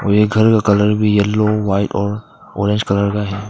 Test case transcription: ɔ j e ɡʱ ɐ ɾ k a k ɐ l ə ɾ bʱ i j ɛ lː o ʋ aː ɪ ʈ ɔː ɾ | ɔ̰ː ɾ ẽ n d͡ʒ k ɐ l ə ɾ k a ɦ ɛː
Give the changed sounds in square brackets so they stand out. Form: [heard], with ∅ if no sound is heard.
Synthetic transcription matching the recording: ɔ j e ɡʱ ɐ ɾ k a k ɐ l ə ɾ bʱ i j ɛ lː o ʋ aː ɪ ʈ ɔː ɾ | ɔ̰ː ɾ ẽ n d͡ʒ k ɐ l ə ɾ k a ɦ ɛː